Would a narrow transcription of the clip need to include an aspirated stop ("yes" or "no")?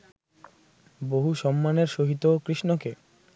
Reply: no